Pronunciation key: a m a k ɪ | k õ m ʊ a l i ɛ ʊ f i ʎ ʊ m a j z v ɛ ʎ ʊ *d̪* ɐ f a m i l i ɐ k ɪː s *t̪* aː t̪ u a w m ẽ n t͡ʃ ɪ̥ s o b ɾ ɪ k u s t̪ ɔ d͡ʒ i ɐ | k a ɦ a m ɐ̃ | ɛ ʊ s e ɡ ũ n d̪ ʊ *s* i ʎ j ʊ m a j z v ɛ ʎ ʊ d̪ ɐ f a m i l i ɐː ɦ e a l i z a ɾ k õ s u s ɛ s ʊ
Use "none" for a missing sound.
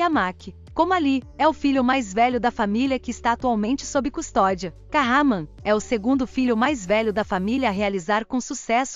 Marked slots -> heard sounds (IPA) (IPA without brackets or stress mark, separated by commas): d̪, t̪, f